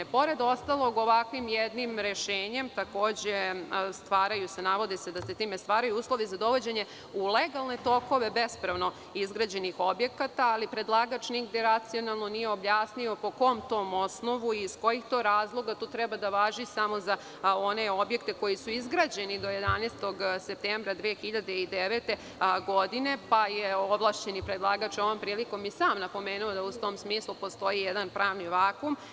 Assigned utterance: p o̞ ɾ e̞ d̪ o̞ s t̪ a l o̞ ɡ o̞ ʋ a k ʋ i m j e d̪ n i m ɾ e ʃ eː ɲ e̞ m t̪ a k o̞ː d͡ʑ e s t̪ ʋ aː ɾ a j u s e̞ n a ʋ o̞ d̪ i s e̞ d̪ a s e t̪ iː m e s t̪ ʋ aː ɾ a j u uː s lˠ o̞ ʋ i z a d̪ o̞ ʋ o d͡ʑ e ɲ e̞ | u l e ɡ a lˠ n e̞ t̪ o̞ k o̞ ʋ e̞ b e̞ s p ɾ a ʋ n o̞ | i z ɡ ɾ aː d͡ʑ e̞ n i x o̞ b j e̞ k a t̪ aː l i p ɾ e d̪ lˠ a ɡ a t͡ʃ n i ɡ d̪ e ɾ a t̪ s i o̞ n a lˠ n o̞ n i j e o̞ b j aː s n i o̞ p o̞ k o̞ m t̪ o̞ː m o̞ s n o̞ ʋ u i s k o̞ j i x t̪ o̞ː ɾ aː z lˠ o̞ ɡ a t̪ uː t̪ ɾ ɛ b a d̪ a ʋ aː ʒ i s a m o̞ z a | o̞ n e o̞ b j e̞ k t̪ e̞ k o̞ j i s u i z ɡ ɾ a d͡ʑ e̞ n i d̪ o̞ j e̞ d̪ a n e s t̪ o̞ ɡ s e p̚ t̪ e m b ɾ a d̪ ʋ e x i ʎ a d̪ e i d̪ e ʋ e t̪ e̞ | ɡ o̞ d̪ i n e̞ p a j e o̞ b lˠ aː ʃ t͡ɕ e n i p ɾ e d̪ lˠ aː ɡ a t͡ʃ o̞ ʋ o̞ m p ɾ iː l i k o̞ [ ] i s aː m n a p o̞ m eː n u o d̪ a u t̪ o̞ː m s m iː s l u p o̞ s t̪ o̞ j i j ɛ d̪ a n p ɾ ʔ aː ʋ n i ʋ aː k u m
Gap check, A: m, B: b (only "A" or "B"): A